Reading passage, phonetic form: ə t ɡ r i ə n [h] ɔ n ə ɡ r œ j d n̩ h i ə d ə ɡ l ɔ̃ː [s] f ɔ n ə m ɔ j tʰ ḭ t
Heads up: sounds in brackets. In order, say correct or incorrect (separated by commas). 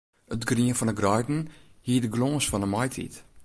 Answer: incorrect, correct